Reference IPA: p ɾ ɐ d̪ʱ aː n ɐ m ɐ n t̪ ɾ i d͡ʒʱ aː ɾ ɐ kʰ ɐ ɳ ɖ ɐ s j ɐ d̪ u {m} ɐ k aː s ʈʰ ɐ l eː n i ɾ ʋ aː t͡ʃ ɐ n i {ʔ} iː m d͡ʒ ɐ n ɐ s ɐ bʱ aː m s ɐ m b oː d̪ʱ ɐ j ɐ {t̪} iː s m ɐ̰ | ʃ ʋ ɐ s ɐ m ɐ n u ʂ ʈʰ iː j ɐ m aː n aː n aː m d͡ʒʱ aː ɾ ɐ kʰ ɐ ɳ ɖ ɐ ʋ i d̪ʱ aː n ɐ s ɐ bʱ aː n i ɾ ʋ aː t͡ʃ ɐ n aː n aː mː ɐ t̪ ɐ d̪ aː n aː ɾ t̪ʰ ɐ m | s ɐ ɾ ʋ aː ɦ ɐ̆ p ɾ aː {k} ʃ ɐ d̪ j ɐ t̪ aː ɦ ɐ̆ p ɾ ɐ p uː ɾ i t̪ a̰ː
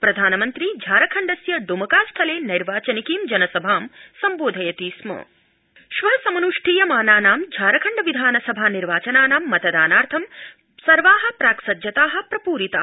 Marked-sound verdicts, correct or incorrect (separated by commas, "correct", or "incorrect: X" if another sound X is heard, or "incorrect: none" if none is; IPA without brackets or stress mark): correct, incorrect: k, correct, correct